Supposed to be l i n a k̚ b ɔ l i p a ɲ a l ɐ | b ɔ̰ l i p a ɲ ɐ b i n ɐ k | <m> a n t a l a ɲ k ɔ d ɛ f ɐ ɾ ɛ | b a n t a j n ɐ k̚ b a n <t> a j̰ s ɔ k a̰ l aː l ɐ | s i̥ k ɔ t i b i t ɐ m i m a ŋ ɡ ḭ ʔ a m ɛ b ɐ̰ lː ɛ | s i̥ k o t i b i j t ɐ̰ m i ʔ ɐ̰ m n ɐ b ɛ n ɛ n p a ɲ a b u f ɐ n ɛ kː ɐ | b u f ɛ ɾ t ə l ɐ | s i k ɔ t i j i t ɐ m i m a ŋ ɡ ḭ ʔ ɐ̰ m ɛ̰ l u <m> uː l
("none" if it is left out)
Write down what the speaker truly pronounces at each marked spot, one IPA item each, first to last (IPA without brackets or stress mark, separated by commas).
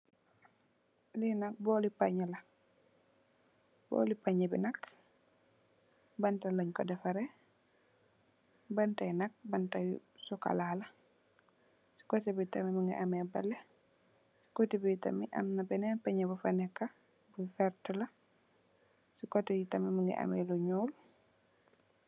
b, t, ɲ